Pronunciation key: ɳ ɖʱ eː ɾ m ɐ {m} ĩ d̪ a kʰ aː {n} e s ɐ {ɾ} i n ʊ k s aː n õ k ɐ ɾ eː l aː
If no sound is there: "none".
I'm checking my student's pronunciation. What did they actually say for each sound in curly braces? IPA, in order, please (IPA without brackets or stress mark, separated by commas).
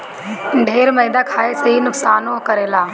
none, none, none